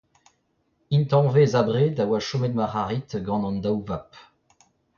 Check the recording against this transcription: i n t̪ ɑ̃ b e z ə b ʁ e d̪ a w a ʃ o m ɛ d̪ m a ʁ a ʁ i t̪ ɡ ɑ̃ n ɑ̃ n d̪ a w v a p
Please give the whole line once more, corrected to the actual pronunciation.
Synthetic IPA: i n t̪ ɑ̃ v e z a b ʁ e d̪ a w a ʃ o m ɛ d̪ m a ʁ a ʁ i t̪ ɡ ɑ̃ n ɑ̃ n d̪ a w v a p